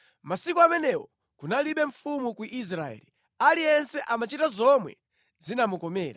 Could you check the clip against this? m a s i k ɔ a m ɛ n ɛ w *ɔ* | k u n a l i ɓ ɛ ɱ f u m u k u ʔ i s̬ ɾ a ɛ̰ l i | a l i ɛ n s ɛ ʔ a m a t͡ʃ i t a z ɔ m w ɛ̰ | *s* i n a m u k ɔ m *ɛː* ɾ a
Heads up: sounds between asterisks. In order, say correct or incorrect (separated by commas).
correct, incorrect, correct